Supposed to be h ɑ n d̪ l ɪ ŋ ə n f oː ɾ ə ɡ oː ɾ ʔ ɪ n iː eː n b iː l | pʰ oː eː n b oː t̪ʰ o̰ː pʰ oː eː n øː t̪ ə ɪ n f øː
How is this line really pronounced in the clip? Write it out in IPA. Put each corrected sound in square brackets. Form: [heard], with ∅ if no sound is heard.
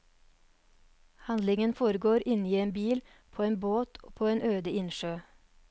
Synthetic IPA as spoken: h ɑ n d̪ l ɪ ŋ ə n f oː ɾ ə ɡ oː ɾ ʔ ɪ n iː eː n b iː l | pʰ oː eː n b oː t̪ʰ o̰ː pʰ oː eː n øː [d̪] ə ɪ n [ʃ] øː